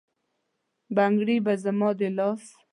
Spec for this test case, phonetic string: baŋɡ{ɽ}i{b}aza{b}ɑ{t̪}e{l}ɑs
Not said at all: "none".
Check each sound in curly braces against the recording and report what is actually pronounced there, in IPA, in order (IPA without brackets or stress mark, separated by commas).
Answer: ɽ, b, m, d̪, l